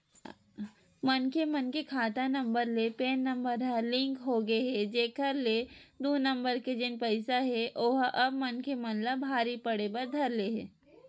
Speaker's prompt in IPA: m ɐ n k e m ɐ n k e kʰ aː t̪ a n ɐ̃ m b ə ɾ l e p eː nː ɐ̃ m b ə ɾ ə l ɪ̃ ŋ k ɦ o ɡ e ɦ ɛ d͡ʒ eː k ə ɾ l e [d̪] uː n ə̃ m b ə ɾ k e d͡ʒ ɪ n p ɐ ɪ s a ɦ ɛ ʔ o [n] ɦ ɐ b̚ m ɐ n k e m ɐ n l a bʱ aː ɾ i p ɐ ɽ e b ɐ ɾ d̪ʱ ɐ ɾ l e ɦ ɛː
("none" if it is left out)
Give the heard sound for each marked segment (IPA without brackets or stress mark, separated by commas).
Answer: d̪, none